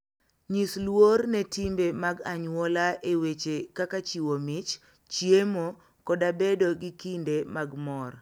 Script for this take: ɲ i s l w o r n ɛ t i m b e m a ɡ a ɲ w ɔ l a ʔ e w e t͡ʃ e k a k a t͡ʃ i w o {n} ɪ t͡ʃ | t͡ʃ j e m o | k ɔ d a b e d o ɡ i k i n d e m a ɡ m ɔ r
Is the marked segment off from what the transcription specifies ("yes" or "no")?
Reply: yes